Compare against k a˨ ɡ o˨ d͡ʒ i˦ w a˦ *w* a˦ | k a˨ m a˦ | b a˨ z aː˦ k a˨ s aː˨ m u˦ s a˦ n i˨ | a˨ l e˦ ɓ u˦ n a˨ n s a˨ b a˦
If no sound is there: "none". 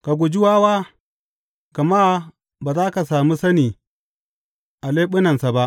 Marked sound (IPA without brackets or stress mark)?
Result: w